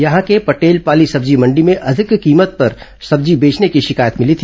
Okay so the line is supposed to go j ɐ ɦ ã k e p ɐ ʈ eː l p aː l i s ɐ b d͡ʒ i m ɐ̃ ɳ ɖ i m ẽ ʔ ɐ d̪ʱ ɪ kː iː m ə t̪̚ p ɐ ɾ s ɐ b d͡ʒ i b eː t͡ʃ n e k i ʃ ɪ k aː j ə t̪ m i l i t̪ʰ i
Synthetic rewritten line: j ɐ ɦ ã k e p ɐ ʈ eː l p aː l i s ɐ b d͡ʒ i m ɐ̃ ɳ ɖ i m ẽ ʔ ɐ d̪ʱ ɪ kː iː m ə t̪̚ p ɐ ɾ s ɐ b d͡ʒ i b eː t͡ʃ n e k i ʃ ɪ k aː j ə t̪ m ɪ l i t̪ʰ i

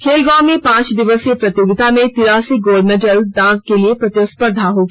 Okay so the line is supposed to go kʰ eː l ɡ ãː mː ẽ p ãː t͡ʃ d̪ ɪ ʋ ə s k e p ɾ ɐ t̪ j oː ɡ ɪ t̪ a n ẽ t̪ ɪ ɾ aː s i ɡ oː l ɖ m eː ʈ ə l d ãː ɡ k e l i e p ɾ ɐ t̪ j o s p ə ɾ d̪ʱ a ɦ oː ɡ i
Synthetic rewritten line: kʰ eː l ɡ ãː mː ẽ p ãː t͡ʃ d̪ ɪ ʋ ə s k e p ɾ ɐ t̪ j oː ɡ ɪ t̪ a m ẽ t̪ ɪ ɾ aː s i ɡ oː l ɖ m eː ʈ ə l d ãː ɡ k e l i e p ɾ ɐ t̪ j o s p ə ɾ d̪ʱ a ɦ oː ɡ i

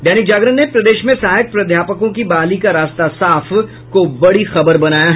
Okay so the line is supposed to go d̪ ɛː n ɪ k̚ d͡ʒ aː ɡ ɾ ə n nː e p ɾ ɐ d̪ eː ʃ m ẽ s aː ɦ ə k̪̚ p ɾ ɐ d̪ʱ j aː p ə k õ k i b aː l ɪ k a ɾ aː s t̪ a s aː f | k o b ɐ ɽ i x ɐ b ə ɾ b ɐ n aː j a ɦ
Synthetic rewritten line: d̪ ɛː n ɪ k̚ d͡ʒ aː ɡ ɾ ə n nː e p ɾ ɐ d̪ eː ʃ m ẽ s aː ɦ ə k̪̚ p ɾ ɐ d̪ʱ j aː p ə k õ k i b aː l i k a ɾ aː s t̪ a s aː f | k o b ɐ ɽ i x ɐ b ə ɾ b ɐ n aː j a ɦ

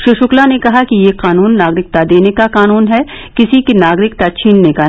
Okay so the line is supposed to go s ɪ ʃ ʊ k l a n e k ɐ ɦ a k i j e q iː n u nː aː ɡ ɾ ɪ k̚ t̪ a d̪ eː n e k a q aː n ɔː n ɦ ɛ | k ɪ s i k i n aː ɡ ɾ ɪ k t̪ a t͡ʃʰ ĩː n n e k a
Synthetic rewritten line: ʃ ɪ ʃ ʊ k l a n e k ɐ ɦ a k i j e q aː n uː nː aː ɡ ɾ ɪ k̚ t̪ a d̪ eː n e k a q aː n uː n ɦ ɛ | k ɪ s i k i n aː ɡ ɾ ɪ k t̪ a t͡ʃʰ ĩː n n e k a

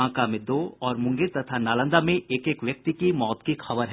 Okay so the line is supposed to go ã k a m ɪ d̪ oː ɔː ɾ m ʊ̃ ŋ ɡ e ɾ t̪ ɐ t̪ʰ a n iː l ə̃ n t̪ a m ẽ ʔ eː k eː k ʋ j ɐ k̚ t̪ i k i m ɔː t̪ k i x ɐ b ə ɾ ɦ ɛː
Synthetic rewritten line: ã k a m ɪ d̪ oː ɔː ɾ m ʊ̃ ŋ ɡ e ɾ t̪ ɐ t̪ʰ a n aː l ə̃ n d̪ a m ẽ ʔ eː k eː k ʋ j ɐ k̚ t̪ i k i m ɔː t̪ k i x ɐ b ə ɾ ɦ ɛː

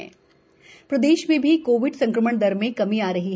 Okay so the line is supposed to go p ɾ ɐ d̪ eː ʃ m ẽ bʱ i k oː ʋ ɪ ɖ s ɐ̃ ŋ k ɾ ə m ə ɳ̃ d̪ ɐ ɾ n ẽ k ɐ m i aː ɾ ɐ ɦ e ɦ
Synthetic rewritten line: p ɾ ɐ d̪ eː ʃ m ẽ bʱ i k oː ʋ ɪ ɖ s ɐ̃ ŋ k ɾ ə m ə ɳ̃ d̪ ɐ ɾ m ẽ k ɐ m i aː ɾ ɐ ɦ i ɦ

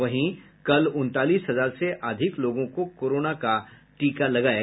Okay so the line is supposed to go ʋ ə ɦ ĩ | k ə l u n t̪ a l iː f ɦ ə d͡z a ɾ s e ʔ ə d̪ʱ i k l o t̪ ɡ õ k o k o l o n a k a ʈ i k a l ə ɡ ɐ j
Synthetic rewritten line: ʋ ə ɦ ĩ | k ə l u n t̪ a l iː s ɦ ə d͡z a ɾ s e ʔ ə d̪ʱ i k l o ɡ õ k o k o ɾ o n a k a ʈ i k a l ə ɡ a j

